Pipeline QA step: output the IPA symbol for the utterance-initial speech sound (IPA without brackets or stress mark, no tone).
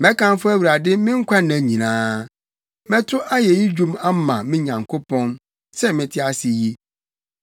m